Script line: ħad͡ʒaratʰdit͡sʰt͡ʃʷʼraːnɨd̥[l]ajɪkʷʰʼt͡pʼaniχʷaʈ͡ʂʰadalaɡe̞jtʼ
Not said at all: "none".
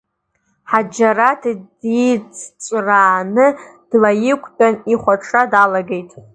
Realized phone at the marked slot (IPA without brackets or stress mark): l